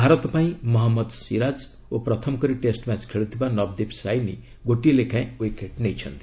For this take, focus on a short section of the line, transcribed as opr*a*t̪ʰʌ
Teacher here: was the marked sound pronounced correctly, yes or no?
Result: no